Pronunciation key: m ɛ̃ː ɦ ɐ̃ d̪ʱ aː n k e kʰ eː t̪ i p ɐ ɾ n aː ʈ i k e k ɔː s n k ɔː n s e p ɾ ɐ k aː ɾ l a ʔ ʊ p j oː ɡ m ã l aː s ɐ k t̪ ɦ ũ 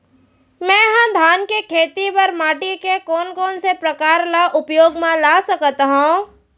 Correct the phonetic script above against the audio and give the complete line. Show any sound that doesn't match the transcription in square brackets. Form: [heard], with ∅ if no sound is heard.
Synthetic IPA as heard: m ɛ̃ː ɦ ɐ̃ d̪ʱ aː n k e kʰ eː t̪ i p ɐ ɾ [m] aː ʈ i k e k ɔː [∅] n k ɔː n s e p ɾ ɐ k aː ɾ l a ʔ ʊ p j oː ɡ m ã l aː s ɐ k t̪ ɦ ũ